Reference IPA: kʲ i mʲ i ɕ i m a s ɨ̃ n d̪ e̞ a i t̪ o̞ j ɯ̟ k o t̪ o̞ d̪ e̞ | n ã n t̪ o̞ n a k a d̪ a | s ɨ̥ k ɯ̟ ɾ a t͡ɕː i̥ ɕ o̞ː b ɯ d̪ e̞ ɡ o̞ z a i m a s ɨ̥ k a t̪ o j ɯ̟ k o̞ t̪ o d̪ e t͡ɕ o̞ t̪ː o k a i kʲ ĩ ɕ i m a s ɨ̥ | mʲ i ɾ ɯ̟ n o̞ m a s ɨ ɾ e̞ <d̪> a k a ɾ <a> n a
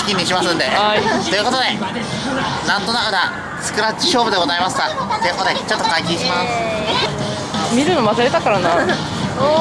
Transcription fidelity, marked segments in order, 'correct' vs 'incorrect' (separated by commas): incorrect, correct